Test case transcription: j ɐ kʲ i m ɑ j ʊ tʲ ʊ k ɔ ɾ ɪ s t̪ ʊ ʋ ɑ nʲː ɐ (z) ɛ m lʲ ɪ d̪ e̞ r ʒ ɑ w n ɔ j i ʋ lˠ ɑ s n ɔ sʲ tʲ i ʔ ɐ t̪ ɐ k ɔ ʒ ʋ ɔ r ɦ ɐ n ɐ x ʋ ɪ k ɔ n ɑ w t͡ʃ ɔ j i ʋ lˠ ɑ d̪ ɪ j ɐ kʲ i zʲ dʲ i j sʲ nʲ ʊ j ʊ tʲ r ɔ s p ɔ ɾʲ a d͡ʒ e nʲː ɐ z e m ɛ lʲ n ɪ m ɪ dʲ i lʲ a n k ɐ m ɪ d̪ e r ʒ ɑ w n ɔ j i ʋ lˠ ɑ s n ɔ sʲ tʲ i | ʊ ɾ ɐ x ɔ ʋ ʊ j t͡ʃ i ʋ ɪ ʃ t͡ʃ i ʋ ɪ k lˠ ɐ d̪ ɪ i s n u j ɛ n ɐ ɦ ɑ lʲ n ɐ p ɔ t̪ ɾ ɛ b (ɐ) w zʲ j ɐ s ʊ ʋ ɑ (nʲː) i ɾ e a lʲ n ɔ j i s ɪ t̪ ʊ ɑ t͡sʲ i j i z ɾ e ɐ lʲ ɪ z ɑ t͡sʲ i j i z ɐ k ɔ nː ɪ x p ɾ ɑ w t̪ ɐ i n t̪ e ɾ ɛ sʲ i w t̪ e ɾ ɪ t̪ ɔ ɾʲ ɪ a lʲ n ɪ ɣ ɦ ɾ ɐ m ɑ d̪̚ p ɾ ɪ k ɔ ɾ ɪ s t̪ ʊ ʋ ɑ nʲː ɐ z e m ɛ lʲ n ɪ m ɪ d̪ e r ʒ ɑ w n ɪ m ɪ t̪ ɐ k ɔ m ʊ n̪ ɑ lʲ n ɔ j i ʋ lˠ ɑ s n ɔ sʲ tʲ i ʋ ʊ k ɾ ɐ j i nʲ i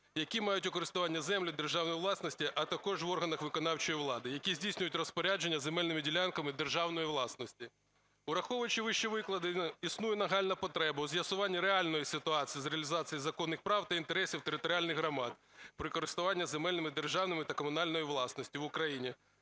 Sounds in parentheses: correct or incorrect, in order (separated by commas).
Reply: correct, correct, correct